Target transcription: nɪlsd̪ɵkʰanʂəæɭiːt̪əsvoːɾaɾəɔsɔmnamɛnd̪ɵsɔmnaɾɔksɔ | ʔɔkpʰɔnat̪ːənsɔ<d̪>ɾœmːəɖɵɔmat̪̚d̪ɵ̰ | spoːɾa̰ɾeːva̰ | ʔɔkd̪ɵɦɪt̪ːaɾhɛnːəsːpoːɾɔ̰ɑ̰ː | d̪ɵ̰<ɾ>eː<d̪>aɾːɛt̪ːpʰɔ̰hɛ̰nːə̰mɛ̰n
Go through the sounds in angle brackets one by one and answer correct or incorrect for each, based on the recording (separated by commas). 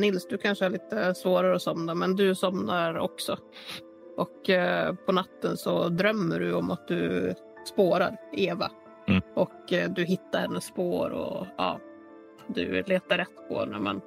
correct, incorrect, incorrect